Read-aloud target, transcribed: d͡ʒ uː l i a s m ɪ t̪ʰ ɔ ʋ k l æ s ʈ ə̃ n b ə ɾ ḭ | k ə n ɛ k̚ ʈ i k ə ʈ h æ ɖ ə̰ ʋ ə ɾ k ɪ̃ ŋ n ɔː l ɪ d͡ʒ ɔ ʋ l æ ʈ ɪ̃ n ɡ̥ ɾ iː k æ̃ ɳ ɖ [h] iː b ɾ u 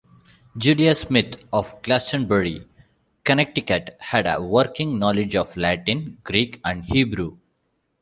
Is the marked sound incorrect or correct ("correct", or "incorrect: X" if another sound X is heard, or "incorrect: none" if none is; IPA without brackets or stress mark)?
correct